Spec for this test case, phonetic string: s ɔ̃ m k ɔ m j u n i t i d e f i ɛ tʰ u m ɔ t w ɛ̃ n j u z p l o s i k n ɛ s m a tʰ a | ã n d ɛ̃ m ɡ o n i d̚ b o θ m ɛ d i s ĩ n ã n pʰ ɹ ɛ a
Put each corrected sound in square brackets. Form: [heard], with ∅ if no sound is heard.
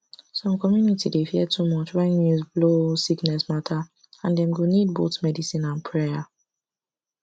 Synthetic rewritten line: s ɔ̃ m k ɔ m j u n i t i d e f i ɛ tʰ u m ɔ [t͡ʃ] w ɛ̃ n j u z [b] l o s i k n ɛ s m a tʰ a | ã n d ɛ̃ m ɡ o n i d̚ b o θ m ɛ d i s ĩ n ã n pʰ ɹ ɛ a